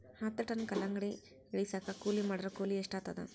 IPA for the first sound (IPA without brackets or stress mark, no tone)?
h